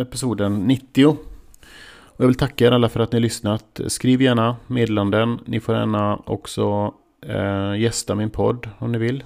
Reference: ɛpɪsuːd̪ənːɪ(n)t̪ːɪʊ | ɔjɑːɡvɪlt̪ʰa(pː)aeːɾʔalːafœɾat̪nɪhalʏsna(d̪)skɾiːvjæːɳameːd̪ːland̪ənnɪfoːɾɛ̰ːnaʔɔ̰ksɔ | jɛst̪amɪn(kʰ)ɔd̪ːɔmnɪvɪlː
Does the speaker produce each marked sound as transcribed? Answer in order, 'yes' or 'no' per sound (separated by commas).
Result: no, no, no, no